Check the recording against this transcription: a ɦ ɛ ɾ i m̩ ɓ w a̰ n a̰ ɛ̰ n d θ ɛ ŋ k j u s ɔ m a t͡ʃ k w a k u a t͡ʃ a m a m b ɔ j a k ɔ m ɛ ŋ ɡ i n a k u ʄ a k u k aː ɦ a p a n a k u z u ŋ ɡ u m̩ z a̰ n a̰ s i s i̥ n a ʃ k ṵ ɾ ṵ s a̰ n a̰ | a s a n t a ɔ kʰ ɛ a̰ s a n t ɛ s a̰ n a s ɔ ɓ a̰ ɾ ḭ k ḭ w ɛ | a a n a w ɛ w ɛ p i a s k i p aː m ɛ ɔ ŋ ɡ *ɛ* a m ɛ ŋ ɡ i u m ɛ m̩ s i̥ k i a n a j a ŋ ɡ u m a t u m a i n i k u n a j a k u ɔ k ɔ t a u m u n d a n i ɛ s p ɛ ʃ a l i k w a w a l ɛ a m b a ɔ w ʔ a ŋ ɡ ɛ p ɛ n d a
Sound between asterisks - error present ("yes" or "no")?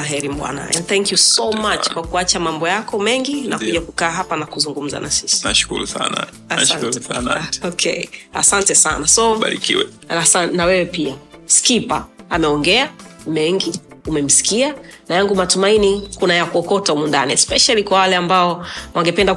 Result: no